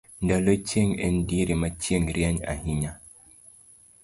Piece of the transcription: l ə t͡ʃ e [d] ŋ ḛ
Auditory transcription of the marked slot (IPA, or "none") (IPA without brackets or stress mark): none